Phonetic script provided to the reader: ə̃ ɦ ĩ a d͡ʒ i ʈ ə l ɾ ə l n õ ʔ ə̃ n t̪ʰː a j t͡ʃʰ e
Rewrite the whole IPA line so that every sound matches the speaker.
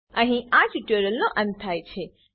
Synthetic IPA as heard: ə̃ ɦ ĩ a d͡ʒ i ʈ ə ɾ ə l n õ ʔ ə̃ n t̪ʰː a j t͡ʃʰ e